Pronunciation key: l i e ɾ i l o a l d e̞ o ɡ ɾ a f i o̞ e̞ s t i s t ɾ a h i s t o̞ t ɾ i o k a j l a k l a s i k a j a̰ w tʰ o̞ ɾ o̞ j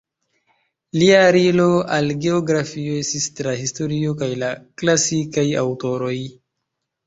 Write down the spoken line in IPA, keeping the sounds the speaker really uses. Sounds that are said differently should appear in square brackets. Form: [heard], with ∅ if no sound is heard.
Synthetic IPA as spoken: l i [a] ɾ i l o a l [ɡ] e̞ o ɡ ɾ a f i o̞ e̞ s t i s t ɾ a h i s t o̞ [∅] ɾ i o k a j l a k l a s i k a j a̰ w [t] o̞ ɾ o̞ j